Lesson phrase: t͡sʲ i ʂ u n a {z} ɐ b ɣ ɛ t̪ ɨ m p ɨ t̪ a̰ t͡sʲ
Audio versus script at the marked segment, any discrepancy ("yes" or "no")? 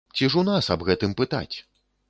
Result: yes